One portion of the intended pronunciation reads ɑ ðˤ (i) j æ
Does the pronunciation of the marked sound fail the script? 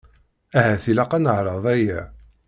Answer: yes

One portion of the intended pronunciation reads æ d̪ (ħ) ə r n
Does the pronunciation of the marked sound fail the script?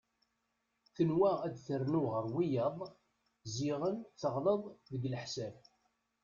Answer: yes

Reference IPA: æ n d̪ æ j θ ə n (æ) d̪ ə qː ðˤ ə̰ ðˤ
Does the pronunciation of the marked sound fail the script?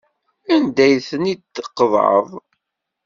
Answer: yes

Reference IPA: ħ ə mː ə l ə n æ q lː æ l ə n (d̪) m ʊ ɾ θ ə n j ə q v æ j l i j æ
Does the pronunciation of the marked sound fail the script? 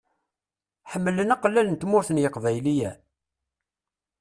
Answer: yes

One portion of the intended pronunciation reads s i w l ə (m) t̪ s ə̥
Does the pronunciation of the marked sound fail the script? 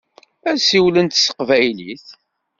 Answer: yes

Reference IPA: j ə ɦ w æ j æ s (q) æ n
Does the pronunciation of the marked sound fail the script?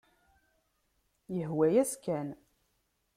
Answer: yes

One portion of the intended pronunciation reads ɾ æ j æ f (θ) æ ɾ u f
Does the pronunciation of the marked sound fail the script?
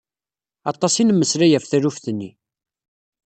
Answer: no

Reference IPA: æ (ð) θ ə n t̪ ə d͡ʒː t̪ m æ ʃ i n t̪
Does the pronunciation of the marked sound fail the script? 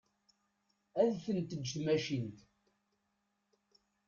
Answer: no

